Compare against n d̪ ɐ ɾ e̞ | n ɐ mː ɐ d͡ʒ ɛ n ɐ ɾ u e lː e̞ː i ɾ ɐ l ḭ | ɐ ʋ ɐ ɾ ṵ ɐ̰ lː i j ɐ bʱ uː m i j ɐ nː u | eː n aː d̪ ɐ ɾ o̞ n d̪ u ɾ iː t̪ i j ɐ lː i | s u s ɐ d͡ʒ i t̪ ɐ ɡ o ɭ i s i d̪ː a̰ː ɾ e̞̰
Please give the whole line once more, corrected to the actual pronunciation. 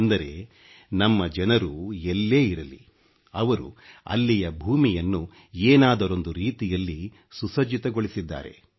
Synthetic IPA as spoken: n d̪ ɐ ɾ e̞ | n ɐ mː ɐ d͡ʒ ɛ n ɐ ɾ u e lː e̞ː i ɾ ɐ l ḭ | ɐ ʋ ɐ ɾ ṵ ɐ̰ lː i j ɐ bʱ uː m i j ɐ nː u | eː n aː d̪ ɐ ɾ o̞ n d̪ u ɾ iː t̪ i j ɐ lː i | s u s ɐ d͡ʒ i t̪ ɐ ɡ o ɭ i s i d̪ː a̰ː ɾ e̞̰